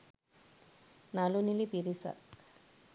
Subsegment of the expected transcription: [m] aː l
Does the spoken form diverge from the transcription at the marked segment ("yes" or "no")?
yes